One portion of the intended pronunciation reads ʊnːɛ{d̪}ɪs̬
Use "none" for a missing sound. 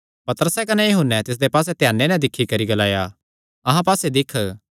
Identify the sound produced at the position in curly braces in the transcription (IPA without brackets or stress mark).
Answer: t̪